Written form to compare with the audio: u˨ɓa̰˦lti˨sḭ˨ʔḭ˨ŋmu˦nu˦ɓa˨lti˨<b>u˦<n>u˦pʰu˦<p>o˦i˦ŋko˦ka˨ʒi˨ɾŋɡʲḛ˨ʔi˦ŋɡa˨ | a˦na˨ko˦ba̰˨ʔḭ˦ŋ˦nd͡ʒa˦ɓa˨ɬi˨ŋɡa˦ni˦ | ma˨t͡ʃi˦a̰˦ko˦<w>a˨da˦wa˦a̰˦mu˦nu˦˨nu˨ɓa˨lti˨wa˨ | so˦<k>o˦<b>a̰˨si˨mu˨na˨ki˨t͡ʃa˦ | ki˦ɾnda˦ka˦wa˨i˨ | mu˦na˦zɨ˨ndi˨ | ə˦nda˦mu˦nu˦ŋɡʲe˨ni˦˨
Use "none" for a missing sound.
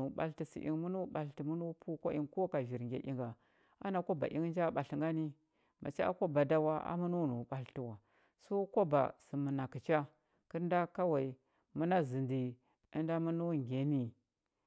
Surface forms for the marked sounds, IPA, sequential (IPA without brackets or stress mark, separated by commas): m, n, k, b, k, b